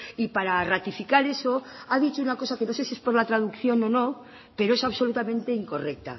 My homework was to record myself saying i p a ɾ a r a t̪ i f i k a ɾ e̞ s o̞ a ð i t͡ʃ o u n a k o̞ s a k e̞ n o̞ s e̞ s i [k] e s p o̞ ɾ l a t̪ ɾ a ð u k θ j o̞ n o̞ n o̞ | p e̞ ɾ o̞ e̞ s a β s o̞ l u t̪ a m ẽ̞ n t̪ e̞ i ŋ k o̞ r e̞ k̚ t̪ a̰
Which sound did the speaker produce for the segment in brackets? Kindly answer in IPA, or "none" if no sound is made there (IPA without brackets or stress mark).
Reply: none